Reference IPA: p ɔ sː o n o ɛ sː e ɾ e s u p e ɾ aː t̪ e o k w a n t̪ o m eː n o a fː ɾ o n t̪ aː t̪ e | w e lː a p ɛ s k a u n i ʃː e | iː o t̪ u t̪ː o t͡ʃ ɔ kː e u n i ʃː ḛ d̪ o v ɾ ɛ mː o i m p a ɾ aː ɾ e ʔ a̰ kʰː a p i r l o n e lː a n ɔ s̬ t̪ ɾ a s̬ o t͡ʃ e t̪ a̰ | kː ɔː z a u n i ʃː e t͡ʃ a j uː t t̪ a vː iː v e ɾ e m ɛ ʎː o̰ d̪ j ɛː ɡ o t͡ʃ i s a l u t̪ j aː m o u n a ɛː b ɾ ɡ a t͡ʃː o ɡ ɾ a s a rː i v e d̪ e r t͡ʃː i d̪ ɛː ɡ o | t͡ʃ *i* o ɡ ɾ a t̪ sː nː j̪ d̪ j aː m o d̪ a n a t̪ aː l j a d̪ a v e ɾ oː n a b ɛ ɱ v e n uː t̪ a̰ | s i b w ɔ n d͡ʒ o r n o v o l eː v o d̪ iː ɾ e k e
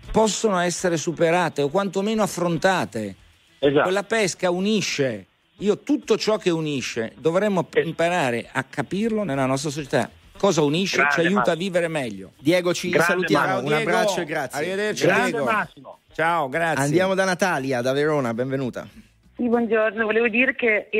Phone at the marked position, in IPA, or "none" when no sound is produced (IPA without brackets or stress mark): a